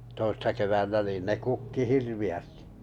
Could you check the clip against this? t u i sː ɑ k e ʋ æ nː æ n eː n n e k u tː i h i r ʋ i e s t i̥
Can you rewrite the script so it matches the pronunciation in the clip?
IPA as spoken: t o i sː ɑ k e ʋ æ nː æ n iː n n e k u kː i h i r ʋ i æ s t i̥